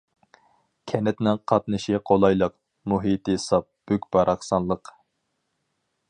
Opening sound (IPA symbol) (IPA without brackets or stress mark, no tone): kʲʰ